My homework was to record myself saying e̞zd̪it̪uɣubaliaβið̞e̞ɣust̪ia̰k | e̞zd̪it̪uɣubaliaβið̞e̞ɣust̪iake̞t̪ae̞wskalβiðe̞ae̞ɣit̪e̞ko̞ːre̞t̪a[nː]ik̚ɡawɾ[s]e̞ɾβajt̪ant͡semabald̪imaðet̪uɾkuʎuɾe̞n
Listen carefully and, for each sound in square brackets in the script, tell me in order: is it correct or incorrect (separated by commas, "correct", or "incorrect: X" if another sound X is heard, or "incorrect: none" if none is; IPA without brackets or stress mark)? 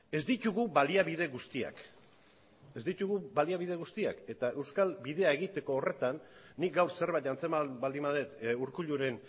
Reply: correct, correct